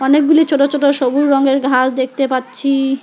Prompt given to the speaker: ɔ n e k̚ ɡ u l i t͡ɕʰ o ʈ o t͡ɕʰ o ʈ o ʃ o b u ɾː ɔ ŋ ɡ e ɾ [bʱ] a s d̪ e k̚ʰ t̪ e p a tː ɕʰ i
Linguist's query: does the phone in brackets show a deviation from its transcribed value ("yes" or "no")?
yes